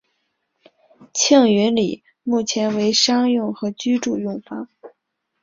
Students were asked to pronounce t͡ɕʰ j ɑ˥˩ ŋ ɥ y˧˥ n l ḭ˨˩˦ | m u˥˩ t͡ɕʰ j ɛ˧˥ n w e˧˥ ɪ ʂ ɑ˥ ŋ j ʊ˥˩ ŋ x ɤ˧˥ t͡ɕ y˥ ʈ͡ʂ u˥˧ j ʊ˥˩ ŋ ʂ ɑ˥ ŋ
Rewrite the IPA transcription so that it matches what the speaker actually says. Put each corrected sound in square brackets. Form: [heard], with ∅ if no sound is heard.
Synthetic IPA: t͡ɕʰ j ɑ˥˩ ŋ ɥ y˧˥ n l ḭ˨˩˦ | m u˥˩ t͡ɕʰ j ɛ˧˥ n w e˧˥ ɪ ʂ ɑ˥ ŋ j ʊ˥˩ ŋ x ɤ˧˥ t͡ɕ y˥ ʈ͡ʂ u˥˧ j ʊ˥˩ ŋ [f] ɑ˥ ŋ